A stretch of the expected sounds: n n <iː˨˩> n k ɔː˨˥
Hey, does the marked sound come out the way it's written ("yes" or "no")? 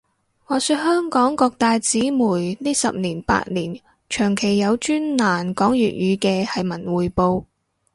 no